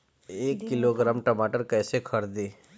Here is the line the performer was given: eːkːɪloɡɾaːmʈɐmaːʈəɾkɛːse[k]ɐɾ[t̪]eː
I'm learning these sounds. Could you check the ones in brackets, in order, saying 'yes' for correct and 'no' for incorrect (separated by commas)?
no, no